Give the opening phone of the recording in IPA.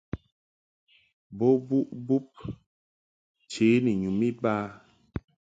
b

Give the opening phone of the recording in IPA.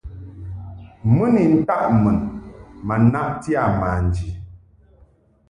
m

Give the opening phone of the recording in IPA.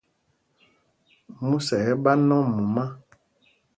m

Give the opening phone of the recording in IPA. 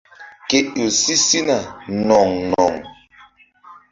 k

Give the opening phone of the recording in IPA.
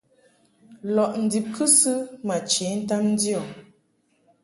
l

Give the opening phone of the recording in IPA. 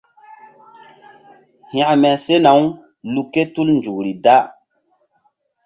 h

